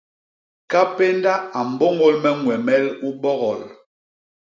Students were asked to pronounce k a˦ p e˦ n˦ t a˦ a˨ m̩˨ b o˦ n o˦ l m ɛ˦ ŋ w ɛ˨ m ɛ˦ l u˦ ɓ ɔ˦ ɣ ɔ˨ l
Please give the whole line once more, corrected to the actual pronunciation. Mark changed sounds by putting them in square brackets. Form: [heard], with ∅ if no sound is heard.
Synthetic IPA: k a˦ p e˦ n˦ [d] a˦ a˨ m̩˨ b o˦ [ŋ] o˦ l m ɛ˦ ŋ w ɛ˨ m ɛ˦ l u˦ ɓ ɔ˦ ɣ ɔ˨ l